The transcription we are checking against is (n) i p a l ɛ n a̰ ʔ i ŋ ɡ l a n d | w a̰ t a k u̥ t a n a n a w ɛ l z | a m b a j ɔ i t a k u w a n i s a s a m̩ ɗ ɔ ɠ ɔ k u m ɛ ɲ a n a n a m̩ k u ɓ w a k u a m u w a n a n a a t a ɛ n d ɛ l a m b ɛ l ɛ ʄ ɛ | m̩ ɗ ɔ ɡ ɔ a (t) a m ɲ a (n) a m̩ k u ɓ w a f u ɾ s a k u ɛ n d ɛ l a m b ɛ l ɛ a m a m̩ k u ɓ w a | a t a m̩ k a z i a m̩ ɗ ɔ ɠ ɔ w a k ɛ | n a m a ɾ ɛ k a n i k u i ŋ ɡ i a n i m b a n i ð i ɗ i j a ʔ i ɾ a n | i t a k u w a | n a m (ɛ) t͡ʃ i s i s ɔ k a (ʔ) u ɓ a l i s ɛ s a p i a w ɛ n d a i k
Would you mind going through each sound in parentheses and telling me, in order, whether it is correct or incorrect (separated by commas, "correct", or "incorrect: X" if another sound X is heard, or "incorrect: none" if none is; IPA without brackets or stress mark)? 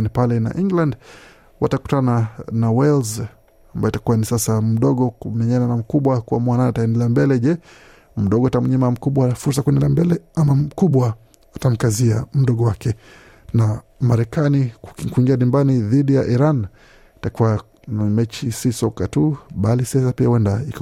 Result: correct, correct, incorrect: m, correct, incorrect: t